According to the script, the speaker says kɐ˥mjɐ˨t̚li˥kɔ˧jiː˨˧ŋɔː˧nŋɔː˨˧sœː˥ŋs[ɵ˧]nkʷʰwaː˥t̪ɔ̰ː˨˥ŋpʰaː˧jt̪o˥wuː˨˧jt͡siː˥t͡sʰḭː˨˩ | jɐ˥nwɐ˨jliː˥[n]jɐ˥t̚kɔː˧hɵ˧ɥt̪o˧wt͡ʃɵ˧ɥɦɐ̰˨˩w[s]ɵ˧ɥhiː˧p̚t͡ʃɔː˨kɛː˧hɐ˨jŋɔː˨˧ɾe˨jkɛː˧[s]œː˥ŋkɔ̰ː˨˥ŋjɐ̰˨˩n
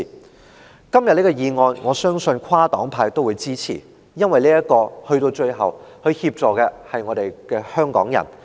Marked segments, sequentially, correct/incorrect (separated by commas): correct, incorrect, incorrect, incorrect